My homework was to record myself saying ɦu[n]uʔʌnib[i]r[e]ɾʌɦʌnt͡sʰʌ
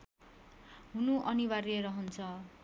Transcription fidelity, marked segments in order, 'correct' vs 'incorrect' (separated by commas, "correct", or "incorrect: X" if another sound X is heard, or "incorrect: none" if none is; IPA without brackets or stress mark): correct, incorrect: a, correct